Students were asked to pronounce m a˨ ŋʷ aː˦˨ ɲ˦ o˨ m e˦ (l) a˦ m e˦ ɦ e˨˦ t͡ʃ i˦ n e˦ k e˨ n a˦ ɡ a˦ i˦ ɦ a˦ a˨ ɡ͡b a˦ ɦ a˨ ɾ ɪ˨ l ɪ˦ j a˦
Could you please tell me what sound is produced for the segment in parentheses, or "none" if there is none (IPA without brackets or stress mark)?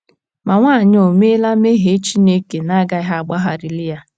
l